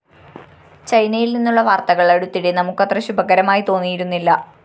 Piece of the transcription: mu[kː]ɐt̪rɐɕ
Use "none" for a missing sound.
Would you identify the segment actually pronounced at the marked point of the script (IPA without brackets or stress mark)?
kː